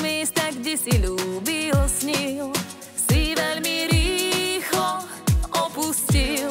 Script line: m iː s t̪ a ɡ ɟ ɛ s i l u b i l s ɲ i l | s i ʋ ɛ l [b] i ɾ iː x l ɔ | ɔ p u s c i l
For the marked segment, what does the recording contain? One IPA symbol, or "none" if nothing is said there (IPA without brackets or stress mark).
m